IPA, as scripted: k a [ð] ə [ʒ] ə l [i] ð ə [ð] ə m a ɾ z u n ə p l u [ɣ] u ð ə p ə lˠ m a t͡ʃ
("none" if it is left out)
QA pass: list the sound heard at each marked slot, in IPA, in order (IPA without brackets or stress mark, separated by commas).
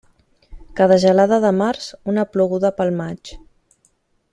ð, ʒ, a, ð, ɣ